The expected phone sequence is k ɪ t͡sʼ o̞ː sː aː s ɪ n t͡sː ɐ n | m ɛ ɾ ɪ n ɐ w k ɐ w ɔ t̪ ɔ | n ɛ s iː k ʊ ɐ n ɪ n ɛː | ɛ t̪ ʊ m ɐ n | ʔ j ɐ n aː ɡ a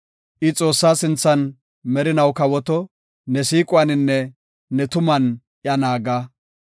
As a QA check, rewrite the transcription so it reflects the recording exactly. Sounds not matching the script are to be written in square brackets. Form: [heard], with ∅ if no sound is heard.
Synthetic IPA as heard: [ʔ] ɪ t͡sʼ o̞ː sː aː s ɪ n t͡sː ɐ n | m ɛ ɾ ɪ n ɐ w k ɐ w ɔ t̪ ɔ | n ɛ s iː [kʼ] ʊ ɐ n ɪ [nː] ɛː | ɛ t̪ ʊ m ɐ n | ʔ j ɐ n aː ɡ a